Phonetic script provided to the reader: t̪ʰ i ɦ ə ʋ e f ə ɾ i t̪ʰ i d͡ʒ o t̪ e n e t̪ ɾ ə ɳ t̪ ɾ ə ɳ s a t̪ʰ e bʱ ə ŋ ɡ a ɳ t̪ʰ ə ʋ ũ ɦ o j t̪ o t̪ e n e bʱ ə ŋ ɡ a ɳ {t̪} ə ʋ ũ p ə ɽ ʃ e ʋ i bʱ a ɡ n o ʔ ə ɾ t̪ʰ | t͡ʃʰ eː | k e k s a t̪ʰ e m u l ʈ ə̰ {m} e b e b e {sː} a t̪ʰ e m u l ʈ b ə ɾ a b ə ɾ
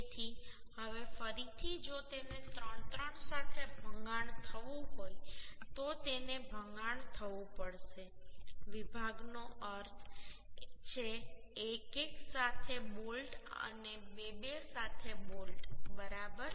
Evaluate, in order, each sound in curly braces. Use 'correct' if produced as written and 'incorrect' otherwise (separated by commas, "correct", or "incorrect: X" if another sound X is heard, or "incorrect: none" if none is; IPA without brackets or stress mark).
incorrect: t̪ʰ, incorrect: n, incorrect: s